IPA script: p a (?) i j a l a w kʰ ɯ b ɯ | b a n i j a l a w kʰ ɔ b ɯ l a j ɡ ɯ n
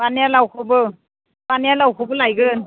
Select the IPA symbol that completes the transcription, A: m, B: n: B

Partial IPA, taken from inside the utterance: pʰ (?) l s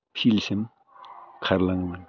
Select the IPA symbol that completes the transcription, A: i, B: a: A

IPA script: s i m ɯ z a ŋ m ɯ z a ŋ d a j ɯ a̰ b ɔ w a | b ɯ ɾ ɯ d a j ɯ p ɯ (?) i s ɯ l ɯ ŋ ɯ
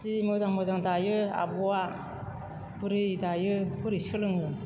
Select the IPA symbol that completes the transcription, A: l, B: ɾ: B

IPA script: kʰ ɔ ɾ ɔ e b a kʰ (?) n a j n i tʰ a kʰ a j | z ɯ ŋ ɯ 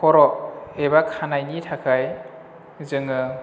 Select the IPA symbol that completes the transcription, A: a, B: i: A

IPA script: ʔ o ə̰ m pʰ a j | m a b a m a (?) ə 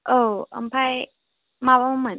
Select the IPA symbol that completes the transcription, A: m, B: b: A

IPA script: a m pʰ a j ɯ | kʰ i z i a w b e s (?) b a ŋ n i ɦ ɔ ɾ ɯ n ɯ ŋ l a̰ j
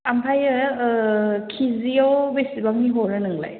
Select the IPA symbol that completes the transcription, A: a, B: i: B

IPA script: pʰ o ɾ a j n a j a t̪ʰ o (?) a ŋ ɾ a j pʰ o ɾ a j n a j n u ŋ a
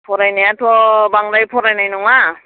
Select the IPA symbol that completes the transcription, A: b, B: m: A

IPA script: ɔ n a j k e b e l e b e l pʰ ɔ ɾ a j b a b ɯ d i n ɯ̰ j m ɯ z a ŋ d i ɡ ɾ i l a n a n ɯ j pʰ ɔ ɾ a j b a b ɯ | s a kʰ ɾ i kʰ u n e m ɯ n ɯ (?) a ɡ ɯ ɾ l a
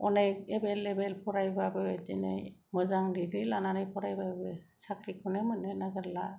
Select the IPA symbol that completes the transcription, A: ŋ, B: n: B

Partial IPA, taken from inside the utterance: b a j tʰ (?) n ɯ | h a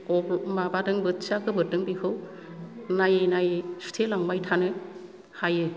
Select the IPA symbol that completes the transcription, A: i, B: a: B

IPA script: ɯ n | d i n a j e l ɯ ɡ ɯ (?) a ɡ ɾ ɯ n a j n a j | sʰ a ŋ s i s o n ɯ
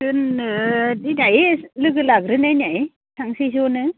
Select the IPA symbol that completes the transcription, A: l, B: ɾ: A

